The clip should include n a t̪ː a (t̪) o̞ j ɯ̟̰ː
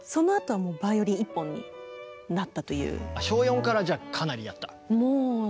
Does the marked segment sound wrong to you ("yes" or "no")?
no